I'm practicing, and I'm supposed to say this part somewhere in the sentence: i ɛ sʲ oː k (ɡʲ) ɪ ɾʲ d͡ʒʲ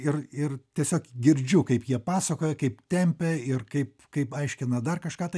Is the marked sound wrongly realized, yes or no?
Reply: no